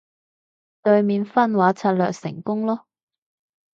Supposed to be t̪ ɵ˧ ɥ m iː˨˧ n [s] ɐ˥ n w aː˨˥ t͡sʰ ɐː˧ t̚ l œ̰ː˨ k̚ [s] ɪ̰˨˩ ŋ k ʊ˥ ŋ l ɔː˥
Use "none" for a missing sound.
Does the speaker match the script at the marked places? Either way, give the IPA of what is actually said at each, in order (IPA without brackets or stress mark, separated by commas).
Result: f, s